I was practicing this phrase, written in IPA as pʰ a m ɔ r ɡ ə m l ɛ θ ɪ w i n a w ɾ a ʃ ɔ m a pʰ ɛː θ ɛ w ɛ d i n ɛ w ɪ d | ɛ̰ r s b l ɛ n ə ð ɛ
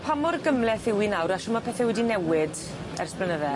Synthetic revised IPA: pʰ a m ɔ r ɡ ə m l ɛ θ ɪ w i n a w ɾ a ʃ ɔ m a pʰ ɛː θ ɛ w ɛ d i n ɛ w ɪ d | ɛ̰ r s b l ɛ n ə ð ɛ